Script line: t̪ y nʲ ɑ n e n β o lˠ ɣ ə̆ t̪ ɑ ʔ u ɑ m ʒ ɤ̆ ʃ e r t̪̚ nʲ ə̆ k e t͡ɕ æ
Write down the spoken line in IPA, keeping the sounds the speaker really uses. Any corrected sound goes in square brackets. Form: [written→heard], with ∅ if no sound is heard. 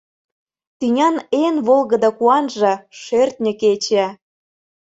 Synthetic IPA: t̪ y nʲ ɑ n e n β o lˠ ɣ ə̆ [t̪→d̪] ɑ [ʔ→k] u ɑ [m→n] ʒ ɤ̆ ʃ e r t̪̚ nʲ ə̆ k e t͡ɕ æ